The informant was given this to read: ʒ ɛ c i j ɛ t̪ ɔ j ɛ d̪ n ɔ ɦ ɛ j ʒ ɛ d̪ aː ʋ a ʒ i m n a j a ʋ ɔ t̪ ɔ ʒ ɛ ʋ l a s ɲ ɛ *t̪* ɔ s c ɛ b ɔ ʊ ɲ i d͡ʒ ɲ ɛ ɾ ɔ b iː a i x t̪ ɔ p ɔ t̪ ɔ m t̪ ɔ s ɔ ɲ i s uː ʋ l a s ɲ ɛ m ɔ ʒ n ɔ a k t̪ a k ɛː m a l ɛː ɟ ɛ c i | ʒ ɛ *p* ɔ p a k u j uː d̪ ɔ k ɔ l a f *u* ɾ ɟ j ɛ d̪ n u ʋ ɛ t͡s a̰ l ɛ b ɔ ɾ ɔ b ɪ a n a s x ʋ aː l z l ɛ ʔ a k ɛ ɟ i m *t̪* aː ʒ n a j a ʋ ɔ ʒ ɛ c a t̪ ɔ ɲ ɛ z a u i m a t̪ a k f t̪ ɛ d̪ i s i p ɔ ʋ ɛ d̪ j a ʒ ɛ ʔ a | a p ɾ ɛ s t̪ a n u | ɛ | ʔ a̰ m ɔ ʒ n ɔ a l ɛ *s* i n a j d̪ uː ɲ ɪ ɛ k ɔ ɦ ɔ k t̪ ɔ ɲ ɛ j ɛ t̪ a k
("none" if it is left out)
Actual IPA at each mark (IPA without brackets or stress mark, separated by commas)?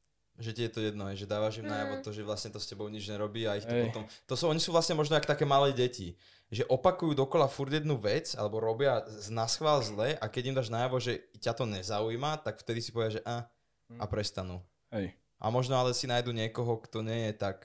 t̪, ʔ, u, d̪, s